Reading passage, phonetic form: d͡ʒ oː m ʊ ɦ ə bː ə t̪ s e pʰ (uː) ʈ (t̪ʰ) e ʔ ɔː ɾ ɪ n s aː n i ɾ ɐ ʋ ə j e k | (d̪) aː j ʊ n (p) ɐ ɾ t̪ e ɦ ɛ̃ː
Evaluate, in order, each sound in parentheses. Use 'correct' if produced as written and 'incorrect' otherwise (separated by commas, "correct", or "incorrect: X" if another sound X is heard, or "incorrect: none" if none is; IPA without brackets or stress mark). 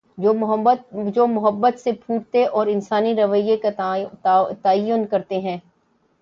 correct, incorrect: t̪, incorrect: t̪, incorrect: k